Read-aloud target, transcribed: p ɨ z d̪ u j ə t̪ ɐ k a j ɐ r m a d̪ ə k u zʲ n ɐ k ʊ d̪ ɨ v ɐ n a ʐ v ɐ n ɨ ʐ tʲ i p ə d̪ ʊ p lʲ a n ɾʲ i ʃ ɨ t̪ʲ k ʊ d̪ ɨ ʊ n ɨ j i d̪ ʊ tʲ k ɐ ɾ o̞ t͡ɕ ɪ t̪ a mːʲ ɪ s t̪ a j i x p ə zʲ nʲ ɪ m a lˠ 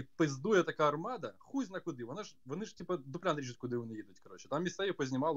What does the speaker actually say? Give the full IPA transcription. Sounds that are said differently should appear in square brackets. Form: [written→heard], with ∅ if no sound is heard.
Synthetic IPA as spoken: p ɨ z d̪ u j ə t̪ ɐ k a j ɐ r m a d̪ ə [k→x] u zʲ n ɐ k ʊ d̪ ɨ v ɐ n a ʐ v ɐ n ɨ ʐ tʲ i p ə d̪ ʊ p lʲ a n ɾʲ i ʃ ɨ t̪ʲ k ʊ d̪ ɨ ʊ n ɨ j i d̪ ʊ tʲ k ɐ ɾ o̞ t͡ɕ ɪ t̪ a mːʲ ɪ s t̪ a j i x p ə zʲ nʲ ɪ m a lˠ